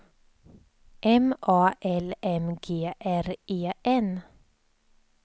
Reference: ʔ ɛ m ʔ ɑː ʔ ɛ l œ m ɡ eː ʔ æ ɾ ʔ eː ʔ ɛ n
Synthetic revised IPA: ʔ ɛ m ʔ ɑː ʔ ɛ l ɛ m ɡ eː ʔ æ ɾ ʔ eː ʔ ɛ n